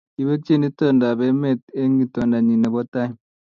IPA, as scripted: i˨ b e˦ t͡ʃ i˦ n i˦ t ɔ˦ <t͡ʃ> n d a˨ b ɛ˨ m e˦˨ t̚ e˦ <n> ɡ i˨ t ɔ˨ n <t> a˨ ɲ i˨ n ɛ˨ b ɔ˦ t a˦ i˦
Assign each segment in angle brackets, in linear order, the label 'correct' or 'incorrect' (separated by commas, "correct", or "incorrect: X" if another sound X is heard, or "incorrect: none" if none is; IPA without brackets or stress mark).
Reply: incorrect: none, incorrect: ŋ, incorrect: d